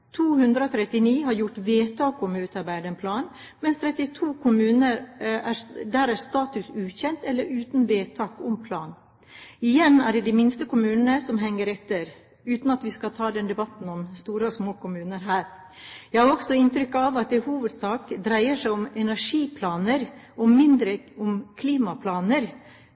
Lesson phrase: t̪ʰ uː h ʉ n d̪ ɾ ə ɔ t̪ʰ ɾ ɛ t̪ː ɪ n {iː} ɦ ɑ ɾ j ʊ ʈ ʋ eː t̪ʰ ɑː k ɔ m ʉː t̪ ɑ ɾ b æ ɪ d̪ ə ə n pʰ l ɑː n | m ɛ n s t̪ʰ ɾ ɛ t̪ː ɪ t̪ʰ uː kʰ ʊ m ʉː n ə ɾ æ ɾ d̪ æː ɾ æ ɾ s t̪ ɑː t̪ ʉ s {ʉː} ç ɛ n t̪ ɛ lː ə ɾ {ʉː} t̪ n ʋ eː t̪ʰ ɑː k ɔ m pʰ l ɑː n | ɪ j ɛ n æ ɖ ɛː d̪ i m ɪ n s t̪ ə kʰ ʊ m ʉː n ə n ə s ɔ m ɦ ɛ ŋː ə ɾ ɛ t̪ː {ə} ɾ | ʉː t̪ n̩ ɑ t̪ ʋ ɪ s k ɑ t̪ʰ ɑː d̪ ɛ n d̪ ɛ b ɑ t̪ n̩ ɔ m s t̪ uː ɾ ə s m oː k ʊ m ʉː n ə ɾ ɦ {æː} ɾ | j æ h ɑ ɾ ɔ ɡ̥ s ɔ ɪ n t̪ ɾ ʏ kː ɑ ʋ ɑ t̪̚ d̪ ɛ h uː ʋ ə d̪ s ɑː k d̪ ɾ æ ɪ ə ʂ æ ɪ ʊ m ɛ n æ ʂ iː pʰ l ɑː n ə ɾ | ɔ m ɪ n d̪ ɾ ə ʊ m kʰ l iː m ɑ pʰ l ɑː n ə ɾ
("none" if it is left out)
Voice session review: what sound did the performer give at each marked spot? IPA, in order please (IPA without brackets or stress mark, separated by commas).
iː, ʉː, ʉː, ə, æː